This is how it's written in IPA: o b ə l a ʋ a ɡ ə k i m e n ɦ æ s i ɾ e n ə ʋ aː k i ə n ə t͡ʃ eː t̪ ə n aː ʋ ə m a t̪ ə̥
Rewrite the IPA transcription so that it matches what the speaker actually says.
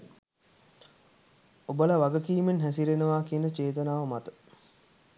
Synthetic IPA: o b ə l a ʋ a ɡ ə k iː m e n ɦ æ s i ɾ e n ə ʋ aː k i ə n ə t͡ʃ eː t̪ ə n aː ʋ ə m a t̪ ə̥